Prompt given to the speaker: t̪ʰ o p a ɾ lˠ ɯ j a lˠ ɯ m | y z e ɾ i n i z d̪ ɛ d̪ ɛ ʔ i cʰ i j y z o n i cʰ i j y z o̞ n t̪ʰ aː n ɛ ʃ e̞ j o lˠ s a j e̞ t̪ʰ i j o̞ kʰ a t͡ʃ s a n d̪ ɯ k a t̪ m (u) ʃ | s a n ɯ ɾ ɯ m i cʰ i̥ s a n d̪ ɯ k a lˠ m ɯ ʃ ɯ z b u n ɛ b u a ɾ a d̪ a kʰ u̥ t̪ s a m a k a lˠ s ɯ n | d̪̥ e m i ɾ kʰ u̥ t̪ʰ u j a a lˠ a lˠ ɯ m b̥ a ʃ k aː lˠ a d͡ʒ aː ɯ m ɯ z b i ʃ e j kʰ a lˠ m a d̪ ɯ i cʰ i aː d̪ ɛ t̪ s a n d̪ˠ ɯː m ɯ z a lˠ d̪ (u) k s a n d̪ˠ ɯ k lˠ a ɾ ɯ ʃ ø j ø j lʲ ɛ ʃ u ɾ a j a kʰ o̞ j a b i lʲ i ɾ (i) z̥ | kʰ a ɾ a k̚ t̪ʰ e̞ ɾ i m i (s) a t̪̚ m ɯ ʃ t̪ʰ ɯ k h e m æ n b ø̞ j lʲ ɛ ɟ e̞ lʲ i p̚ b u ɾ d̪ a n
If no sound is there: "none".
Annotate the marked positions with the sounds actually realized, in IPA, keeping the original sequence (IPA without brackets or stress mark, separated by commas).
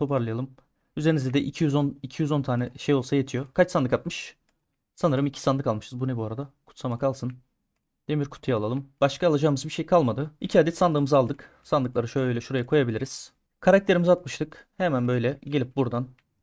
ɯ, ɯ, i, z